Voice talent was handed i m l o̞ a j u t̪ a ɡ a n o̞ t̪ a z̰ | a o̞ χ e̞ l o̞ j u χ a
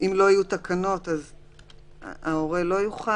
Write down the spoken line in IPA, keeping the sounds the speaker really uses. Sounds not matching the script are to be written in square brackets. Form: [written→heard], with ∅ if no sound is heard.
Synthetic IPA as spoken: i m l o̞ a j u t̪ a [ɡ→k] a n o̞ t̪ a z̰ | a o̞ [χ→ʁ] e̞ l o̞ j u χ a